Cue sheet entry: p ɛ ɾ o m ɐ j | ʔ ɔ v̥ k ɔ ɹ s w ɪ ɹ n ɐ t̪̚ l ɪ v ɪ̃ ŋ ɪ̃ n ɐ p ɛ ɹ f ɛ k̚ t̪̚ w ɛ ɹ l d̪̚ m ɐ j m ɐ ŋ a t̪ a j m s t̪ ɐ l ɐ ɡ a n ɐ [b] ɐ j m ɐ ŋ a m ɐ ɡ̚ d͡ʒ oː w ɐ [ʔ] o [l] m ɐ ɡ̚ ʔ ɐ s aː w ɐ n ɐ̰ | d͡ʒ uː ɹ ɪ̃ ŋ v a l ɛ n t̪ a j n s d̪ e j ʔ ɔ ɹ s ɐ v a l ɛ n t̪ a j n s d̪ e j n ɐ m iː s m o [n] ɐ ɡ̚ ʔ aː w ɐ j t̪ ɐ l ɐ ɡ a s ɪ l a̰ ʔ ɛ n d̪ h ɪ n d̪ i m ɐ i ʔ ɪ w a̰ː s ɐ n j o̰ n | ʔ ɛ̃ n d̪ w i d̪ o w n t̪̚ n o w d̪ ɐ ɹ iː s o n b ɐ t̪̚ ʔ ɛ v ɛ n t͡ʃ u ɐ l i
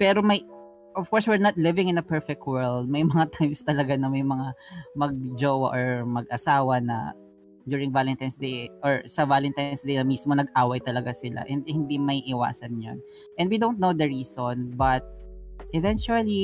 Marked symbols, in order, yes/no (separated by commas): no, yes, no, yes